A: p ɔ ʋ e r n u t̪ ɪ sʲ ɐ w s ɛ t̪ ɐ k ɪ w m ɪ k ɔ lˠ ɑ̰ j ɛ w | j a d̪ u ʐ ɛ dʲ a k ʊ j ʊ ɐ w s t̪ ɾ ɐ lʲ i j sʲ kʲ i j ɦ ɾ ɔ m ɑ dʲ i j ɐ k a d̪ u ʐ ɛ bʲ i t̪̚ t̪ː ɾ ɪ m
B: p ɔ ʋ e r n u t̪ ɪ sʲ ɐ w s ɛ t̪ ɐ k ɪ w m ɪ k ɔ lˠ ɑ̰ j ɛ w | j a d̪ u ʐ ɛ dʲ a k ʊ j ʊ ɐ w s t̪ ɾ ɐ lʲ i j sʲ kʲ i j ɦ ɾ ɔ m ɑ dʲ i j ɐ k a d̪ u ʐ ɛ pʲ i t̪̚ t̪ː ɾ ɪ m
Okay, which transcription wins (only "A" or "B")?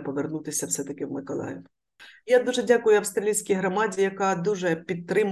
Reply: B